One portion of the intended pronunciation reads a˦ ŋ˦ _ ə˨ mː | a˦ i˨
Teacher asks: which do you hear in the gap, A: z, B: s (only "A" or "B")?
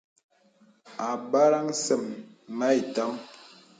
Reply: B